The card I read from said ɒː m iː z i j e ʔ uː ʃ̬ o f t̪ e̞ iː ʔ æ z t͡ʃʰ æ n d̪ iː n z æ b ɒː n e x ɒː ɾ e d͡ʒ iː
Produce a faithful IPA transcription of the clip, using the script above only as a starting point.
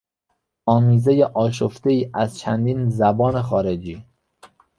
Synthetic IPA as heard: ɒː m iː z e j e ʔ ɒː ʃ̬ o f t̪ e̞ iː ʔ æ z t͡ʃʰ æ n d̪ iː n z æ b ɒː n e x ɒː ɾ e d͡ʒ iː

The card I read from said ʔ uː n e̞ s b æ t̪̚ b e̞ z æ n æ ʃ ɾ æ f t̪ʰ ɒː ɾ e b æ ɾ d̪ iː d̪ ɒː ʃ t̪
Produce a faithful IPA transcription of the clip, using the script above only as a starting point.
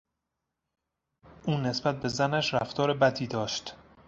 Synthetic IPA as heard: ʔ uː n e̞ s b æ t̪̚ b e̞ z æ n æ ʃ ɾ æ f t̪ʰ ɒː ɾ e b æ d̪ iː d̪ ɒː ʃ t̪

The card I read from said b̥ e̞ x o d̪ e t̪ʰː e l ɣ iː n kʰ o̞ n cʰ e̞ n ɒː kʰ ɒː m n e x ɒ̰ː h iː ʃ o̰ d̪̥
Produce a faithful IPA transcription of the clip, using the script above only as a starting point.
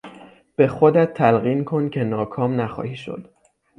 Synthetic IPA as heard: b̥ e̞ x o d̪ æ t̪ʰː æ l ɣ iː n kʰ o̞ n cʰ e̞ n ɒː kʰ ɒː m n æ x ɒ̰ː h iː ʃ o̰ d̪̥

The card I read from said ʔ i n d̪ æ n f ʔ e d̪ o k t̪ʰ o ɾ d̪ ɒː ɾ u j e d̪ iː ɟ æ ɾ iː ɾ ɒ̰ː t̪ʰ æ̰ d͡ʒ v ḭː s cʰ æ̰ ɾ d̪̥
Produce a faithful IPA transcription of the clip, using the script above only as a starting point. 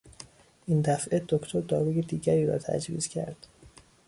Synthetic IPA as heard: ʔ i n d̪ æ f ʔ e d̪ o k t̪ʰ o ɾ d̪ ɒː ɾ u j e d̪ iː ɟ æ ɾ iː ɾ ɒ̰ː t̪ʰ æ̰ d͡ʒ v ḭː z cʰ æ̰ ɾ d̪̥

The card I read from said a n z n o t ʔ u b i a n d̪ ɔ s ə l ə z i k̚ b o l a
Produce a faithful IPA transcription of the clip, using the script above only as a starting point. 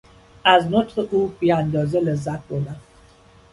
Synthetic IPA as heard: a z n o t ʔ u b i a n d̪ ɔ z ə l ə z a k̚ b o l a

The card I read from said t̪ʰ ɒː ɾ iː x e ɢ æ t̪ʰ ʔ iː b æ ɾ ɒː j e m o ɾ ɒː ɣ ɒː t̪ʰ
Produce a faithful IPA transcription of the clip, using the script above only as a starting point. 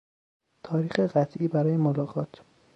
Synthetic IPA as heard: t̪ʰ ɒː ɾ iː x e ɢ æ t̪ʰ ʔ iː b æ ɾ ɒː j e m o l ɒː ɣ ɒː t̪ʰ

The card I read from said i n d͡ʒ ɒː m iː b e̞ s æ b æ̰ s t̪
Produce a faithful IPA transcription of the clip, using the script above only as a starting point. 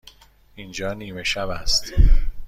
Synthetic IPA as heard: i n d͡ʒ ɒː n iː m e̞ ʃ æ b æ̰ s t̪

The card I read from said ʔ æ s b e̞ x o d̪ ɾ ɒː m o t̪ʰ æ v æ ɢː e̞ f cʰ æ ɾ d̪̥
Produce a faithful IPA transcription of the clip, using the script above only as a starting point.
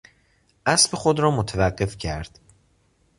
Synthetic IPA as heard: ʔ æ s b e̞ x o d̪ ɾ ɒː m o t̪ʰ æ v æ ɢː e̞ f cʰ æ ɾ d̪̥

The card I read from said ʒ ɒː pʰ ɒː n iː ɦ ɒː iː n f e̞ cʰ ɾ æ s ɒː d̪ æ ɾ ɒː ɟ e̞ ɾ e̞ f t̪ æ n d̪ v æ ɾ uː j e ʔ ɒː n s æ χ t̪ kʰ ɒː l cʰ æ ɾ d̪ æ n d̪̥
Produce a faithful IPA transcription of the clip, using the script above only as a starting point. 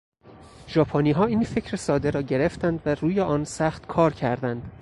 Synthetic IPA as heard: ʒ ɒː pʰ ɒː n iː ɦ ɒː iː n f e̞ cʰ ɾ e s ɒː d̪ e ɾ ɒː ɟ e̞ ɾ e̞ f t̪ æ n d̪ v æ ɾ uː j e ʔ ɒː n s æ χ t̪ kʰ ɒː ɾ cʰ æ ɾ d̪ æ n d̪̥

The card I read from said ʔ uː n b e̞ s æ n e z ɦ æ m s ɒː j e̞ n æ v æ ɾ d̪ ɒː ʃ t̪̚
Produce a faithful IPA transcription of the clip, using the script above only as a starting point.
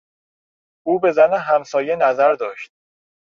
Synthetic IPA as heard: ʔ uː b e̞ z æ n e ɦ æ m s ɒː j e̞ n æ z æ ɾ d̪ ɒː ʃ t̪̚

